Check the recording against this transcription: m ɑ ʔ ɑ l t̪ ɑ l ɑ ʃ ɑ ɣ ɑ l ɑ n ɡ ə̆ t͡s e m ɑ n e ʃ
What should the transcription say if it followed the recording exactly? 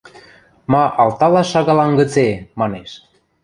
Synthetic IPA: m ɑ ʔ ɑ l t̪ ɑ l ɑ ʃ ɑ ɣ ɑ l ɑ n ɡ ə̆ t͡s e m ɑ n e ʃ